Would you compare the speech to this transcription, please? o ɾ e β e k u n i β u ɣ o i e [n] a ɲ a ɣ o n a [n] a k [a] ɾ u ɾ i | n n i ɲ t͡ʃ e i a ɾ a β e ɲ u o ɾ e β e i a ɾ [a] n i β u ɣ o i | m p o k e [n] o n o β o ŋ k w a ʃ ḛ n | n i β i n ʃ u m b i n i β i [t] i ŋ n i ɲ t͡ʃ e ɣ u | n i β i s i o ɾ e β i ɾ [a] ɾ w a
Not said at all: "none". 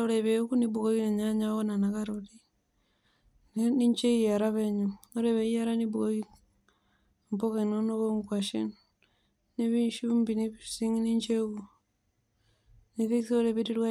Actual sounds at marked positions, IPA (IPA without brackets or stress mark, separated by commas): ɲ, n, a, a, n, s, i